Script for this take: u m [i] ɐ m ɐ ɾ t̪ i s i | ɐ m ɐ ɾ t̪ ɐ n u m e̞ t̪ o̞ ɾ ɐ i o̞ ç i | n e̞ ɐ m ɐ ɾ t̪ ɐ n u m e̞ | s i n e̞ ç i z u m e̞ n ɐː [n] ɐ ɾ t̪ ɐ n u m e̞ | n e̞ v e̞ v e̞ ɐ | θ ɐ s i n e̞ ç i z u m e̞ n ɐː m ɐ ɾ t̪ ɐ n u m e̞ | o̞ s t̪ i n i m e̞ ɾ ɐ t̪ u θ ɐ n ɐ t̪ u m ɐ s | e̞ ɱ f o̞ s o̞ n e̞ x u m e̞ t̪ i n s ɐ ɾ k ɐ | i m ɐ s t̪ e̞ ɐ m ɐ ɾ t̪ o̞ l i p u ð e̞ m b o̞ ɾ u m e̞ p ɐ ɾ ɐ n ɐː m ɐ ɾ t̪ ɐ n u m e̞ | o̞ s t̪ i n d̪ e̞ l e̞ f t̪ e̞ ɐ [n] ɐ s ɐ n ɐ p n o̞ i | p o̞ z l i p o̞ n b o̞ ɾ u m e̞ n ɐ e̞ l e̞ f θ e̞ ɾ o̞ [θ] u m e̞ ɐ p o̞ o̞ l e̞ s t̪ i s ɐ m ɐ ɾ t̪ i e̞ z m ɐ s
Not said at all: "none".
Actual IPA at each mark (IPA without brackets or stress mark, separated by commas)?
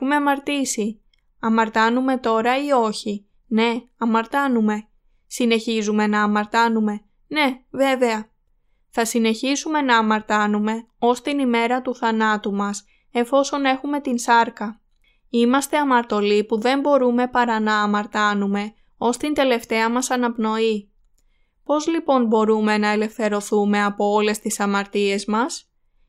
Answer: e, m, m, θ